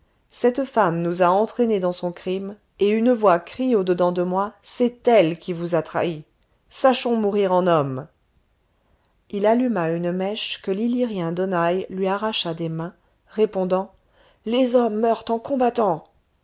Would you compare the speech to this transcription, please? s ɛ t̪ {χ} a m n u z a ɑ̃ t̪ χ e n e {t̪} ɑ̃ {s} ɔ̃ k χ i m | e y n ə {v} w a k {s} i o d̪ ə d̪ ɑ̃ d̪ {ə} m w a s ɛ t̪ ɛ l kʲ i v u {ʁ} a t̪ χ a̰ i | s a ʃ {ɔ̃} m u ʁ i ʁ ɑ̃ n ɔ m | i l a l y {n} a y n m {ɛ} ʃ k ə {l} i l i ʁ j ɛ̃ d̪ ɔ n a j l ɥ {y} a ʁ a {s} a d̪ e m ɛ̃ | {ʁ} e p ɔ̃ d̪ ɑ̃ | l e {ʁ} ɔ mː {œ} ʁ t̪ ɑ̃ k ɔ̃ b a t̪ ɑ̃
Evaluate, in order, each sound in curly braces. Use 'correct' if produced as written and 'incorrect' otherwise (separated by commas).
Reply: incorrect, incorrect, correct, correct, incorrect, correct, incorrect, correct, incorrect, correct, correct, incorrect, incorrect, correct, incorrect, correct